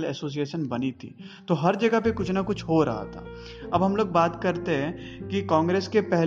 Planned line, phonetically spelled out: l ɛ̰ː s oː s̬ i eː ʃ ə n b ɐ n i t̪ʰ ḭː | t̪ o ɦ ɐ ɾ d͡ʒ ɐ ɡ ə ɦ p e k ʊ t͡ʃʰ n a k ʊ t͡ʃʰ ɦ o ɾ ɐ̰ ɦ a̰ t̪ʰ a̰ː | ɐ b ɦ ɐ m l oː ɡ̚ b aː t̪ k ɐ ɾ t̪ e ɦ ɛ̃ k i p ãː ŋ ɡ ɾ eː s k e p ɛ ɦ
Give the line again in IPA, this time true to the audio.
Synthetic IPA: l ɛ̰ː s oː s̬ i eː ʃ ə n b ɐ n i t̪ʰ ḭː | t̪ o ɦ ɐ ɾ d͡ʒ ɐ ɡ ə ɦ p e k ʊ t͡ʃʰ n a k ʊ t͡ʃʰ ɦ o ɾ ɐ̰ ɦ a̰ t̪ʰ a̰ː | ɐ b ɦ ɐ m l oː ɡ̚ b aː t̪ k ɐ ɾ t̪ e ɦ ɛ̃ k i k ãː ŋ ɡ ɾ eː s k e p ɛ ɦ